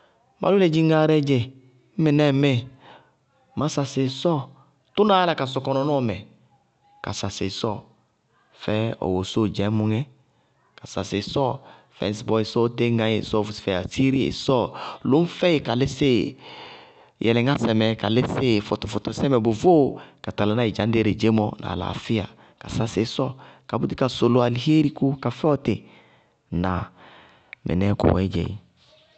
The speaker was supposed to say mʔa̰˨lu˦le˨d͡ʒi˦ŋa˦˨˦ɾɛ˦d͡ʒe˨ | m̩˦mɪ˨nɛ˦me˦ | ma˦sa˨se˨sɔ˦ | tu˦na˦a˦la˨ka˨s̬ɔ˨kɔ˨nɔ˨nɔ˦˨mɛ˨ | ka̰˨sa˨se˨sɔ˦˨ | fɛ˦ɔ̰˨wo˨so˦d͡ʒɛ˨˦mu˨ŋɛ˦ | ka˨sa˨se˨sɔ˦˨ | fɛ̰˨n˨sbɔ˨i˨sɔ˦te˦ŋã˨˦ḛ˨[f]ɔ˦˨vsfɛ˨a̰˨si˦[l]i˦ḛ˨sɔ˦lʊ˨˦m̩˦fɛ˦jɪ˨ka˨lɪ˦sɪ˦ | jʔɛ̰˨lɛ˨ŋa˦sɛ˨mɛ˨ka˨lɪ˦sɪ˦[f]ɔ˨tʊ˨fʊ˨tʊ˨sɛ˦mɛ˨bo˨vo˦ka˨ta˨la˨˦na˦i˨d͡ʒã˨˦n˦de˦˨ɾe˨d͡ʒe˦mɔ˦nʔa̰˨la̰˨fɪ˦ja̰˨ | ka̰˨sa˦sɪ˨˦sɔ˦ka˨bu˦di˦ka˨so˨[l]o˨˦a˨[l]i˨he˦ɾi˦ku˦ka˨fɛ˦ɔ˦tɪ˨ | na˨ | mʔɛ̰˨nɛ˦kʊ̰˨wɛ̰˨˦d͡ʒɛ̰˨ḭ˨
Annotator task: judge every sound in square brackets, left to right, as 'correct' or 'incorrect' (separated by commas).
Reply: incorrect, incorrect, correct, correct, correct